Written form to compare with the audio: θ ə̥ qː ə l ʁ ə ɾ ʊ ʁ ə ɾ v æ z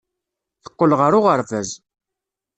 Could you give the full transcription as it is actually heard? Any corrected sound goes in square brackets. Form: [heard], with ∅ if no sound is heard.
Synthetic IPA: θ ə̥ qː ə l ʁ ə ɾ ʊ ʁ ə ɾ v æ z